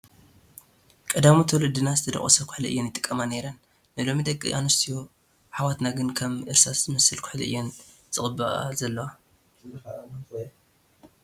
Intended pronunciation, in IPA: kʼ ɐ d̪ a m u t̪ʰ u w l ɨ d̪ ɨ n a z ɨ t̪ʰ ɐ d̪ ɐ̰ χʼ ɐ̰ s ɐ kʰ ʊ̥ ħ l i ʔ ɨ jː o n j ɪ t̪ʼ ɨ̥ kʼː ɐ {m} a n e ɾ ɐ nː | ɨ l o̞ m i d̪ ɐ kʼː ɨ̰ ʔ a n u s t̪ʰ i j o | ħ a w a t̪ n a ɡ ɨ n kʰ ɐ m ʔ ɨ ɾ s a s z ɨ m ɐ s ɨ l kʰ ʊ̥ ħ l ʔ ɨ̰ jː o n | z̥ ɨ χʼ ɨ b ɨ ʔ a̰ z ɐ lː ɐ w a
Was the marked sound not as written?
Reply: no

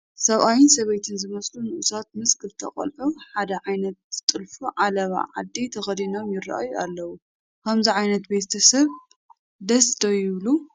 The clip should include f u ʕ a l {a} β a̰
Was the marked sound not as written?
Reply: yes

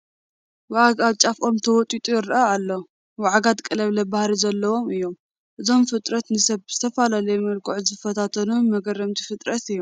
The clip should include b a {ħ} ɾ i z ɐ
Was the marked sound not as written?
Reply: yes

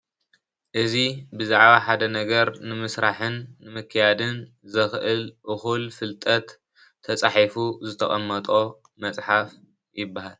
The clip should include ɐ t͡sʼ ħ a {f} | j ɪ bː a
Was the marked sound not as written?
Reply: no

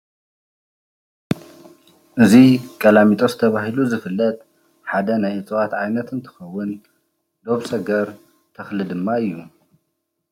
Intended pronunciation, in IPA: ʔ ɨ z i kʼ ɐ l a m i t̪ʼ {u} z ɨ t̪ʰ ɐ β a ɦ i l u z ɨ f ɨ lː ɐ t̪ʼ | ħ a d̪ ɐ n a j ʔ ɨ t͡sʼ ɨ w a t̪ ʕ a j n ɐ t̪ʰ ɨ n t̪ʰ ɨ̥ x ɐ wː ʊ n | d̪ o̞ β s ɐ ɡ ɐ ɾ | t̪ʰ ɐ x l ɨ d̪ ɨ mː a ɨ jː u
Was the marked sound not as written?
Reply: yes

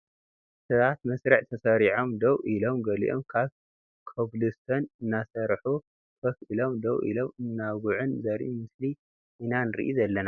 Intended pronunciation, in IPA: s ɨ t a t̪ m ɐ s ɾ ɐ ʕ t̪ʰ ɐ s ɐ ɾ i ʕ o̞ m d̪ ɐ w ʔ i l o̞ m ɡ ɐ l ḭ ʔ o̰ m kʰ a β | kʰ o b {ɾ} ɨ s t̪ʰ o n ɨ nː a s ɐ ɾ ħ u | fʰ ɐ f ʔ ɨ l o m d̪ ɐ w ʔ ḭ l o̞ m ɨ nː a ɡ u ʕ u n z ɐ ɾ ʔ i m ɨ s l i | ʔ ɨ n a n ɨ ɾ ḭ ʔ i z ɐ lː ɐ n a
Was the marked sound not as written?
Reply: yes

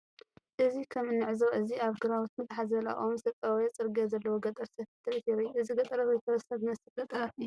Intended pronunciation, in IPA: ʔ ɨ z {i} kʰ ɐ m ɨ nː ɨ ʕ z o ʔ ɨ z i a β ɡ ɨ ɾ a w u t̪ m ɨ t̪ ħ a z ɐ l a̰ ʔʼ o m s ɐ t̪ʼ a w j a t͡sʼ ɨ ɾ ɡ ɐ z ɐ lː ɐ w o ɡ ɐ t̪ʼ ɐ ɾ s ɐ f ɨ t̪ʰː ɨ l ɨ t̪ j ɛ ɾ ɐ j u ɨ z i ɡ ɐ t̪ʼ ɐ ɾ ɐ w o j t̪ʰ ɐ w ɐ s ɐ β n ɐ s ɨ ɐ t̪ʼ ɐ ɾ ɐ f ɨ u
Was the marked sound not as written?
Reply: no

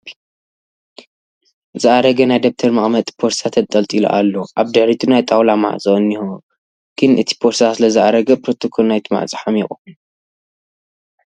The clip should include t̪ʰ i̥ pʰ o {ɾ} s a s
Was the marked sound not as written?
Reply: no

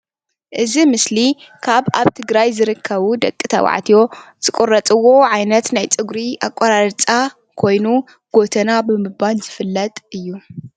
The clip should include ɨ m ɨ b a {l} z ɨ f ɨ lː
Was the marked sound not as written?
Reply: no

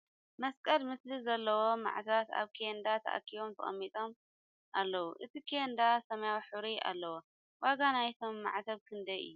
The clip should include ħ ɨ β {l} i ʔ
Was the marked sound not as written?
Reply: yes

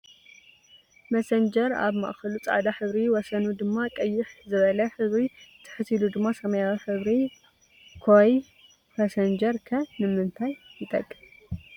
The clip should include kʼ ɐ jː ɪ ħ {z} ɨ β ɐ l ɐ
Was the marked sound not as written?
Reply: no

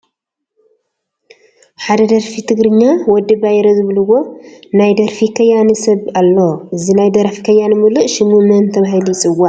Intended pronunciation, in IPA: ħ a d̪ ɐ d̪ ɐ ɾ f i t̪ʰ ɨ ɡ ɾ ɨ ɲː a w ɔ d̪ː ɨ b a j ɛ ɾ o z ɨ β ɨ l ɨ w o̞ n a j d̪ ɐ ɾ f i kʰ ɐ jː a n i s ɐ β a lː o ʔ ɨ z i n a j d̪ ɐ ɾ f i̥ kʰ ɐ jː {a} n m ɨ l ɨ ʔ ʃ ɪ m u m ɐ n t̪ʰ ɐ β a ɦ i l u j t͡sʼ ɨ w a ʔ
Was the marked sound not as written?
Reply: no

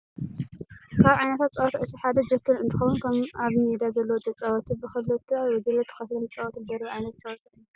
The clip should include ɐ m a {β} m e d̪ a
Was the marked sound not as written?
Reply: no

